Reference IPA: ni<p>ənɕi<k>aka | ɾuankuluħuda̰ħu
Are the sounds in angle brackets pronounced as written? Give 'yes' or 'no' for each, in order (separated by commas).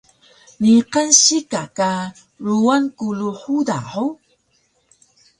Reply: no, yes